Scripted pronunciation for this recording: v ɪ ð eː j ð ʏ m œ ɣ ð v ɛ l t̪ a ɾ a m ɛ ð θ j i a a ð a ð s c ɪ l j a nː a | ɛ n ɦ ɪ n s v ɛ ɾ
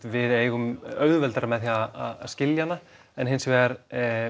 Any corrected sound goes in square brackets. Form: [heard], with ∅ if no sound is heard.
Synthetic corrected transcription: v ɪ ð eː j [ɣ] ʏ m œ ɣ ð v ɛ l t̪ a ɾ a m ɛ ð θ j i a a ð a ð s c ɪ l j a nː a | ɛ n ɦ ɪ n s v ɛ ɾ

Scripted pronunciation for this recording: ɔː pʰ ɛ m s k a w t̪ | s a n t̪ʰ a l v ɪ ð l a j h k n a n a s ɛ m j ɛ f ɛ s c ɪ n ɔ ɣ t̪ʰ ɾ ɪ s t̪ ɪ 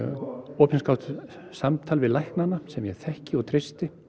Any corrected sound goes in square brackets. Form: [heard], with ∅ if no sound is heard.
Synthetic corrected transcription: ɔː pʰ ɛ [n] s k a w t̪ | s a [m] t̪ʰ a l v ɪ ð l a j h k n a n a s ɛ m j ɛ [θ] ɛ [h] c ɪ [∅] ɔ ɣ t̪ʰ ɾ ɪ s t̪ ɪ

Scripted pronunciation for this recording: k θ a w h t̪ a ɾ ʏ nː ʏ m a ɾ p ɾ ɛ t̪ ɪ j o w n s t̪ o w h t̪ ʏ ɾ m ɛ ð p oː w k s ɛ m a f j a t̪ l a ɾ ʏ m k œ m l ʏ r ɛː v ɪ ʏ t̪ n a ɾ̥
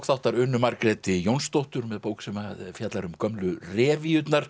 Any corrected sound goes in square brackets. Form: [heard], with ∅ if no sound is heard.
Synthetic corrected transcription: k θ a w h t̪ a ɾ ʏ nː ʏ m a ɾ [k] ɾ ɛ t̪ ɪ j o w n s t̪ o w h t̪ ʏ ɾ m ɛ ð p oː w k s ɛ m a f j a t̪ l a ɾ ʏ m k œ m l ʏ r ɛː v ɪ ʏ t̪ n a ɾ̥

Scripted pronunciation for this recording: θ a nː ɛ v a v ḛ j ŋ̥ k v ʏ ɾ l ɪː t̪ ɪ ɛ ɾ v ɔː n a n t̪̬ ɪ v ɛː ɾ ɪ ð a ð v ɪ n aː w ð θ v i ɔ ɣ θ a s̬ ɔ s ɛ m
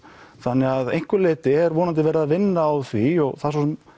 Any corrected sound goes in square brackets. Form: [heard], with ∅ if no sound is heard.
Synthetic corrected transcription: θ a nː ɛ [ɣ] a [ð] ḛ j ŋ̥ k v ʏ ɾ l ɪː t̪ ɪ ɛ ɾ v ɔː n a n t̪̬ ɪ v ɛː ɾ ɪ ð a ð v ɪ [nː] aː w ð θ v i ɔ ɣ θ a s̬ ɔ s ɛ m

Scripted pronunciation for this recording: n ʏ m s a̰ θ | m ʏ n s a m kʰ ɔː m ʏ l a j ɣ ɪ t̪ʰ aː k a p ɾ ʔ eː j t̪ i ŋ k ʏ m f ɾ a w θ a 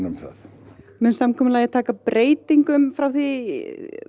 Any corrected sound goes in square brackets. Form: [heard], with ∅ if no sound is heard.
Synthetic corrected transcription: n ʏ m [θ] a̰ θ | m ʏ n s a m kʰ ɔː m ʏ l a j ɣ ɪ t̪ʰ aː k a p ɾ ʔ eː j t̪ i ŋ k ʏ m f ɾ a w θ [i]

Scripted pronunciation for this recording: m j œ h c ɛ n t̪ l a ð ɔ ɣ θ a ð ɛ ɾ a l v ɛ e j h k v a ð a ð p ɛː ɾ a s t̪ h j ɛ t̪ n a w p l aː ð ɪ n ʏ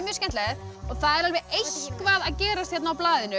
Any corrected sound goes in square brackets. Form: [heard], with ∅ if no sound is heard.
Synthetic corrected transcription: m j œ [s] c ɛ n t̪ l [ɛ] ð ɔ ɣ θ a ð ɛ ɾ a l v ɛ e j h k v a ð a ð [c] ɛː ɾ a s t̪ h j ɛ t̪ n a w p l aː ð ɪ n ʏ

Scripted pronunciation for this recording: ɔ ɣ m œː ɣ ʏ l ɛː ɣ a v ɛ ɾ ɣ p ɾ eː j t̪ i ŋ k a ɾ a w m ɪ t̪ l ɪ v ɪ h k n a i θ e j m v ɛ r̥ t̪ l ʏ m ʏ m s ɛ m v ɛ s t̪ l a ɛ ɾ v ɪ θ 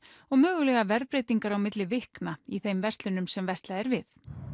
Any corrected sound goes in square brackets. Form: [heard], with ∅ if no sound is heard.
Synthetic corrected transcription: ɔ ɣ m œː ɣ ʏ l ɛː ɣ a v ɛ ɾ [ð] p ɾ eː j t̪ i ŋ k a ɾ a w m ɪ t̪ l ɪ v ɪ h k n a i θ e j m v ɛ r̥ t̪ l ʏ [n] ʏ m s ɛ m v ɛ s t̪ l a ɛ ɾ v ɪ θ

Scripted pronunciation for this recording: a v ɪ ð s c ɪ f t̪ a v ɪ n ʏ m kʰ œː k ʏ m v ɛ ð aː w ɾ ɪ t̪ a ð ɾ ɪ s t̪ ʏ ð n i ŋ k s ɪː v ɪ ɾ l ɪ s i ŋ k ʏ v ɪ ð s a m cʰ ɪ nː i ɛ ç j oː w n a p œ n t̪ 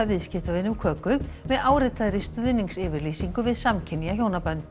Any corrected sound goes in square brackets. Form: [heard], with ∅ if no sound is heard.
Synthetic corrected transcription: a v ɪ ð s c ɪ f t̪ a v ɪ n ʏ m kʰ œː k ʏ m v ɛ ð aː w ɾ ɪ t̪ a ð ɾ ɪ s t̪ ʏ ð n i ŋ k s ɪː v ɪ ɾ l [i] s i ŋ k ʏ v ɪ ð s a m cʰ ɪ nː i [a] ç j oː w n a p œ n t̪

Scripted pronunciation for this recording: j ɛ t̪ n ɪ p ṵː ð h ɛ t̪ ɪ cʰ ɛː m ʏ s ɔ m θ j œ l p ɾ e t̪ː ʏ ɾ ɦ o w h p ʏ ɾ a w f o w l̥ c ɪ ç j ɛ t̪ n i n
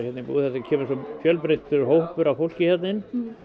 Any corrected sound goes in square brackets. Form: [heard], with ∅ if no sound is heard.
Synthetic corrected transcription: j ɛ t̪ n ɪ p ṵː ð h ɛ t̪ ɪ cʰ ɛː m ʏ s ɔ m [f] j œ l p ɾ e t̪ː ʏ ɾ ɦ o w h p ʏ ɾ a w f o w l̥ c ɪ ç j ɛ t̪ n [ɪ] n

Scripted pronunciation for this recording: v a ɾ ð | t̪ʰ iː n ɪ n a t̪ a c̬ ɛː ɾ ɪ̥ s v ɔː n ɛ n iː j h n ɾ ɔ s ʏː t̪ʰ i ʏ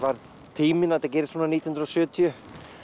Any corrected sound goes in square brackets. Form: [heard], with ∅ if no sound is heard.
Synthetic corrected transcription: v a ɾ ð | t̪ʰ iː [m] ɪ n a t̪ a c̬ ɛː ɾ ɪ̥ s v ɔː n [a] n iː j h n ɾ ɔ s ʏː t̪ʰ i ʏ

